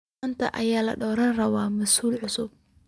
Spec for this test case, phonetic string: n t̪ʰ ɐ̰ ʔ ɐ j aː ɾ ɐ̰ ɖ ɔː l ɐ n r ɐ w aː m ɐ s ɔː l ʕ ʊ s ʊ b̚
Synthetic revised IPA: n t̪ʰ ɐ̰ ʔ ɐ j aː l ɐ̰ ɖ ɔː ɾ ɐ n r ɐ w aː m ɐ s uː l ʕ ʊ s ʊ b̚